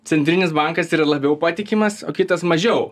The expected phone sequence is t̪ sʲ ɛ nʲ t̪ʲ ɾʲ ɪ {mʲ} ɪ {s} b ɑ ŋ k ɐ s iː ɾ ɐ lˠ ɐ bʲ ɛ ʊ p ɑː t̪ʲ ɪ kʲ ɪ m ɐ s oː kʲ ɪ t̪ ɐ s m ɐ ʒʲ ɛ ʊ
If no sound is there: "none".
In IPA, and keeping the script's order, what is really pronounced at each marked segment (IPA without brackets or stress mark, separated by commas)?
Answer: nʲ, s